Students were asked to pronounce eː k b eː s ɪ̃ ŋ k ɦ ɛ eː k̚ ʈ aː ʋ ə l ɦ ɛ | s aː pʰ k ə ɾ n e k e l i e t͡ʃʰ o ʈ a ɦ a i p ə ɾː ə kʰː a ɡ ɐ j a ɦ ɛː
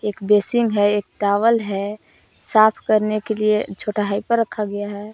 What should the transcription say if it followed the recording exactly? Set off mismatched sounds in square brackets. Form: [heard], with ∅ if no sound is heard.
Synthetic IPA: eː k b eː s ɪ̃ ŋ [ɡ] ɦ ɛ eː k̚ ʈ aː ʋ ə l ɦ ɛ | s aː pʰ k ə ɾ n e k e l i e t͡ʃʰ o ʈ a ɦ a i p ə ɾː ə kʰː a ɡ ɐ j a ɦ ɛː

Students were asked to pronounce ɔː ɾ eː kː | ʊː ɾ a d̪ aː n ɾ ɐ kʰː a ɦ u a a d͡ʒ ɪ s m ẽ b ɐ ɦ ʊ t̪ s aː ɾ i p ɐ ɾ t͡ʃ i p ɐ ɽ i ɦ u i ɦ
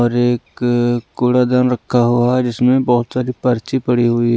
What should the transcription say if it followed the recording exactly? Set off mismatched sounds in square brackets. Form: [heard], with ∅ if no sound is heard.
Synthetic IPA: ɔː ɾ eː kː | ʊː [ɽ] a d̪ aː n ɾ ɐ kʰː a ɦ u a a d͡ʒ ɪ s m ẽ b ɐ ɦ ʊ t̪ s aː ɾ i p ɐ ɾ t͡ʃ i p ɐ ɽ i ɦ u i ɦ

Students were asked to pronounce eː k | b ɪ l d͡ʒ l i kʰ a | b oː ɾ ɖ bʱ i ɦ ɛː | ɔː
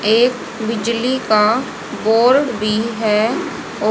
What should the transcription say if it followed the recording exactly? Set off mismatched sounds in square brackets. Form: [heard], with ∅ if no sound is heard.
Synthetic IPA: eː k | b ɪ [∅] d͡ʒ l i [k] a | b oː ɾ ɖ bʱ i ɦ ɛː | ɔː

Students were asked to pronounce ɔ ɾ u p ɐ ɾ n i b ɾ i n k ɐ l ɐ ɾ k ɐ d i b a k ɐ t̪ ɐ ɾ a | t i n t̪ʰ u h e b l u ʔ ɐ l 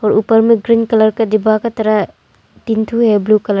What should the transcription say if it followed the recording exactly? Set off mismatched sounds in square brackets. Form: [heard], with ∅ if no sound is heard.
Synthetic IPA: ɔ ɾ u p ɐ ɾ [m] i [ɡ] ɾ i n k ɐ l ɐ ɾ k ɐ d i b a k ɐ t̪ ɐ ɾ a | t i n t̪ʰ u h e b l u [k] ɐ l

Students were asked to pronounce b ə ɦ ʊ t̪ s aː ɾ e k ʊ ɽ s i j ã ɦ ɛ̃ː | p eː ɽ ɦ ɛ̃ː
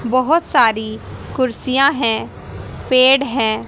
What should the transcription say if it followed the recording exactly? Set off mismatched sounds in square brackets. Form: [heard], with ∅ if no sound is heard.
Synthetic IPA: b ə ɦ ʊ t̪ s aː ɾ [i] k ʊ [ɾ] s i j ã ɦ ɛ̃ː | p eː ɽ ɦ ɛ̃ː

